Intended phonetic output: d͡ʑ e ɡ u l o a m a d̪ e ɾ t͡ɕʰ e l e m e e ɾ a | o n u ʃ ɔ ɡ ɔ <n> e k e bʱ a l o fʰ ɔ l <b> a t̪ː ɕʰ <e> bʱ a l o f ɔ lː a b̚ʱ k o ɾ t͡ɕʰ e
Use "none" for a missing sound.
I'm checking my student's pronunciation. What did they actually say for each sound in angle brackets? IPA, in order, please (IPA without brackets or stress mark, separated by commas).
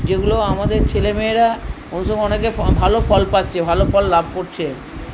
n, p, e